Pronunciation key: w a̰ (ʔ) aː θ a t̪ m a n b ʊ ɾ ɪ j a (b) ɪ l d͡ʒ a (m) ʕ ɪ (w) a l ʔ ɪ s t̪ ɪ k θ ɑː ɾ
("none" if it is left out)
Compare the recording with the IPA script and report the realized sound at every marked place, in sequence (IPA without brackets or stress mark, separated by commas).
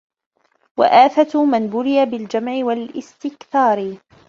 ʔ, b, m, w